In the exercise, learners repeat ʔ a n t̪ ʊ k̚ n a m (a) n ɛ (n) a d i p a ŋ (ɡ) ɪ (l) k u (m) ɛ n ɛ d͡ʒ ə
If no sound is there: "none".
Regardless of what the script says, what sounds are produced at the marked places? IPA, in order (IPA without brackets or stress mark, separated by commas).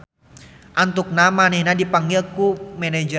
a, n, ɡ, l, m